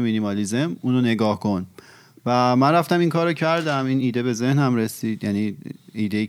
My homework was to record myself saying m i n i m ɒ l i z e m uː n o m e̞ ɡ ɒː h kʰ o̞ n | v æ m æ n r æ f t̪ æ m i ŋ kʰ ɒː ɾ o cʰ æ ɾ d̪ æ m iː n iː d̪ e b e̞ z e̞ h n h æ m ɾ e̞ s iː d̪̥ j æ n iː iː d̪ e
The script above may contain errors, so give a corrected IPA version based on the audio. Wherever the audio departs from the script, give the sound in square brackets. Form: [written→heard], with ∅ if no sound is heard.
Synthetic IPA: m i n i m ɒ l i z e m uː n o [m→n] e̞ ɡ ɒː h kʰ o̞ n | v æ m æ n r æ f t̪ æ m i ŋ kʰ ɒː ɾ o cʰ æ ɾ d̪ æ m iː n iː d̪ e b e̞ z e̞ h n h æ m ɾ e̞ s iː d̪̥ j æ n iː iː d̪ e